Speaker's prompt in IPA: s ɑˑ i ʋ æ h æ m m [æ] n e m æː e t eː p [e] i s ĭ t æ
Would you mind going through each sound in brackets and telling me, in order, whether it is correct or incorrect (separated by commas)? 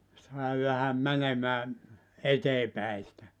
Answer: correct, incorrect